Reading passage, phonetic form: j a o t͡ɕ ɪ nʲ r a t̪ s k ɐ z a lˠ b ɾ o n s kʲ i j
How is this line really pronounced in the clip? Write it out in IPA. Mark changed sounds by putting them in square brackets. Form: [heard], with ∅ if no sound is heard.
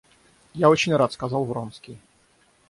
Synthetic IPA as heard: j a o t͡ɕ ɪ nʲ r a t̪ s k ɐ z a lˠ [v] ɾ o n s kʲ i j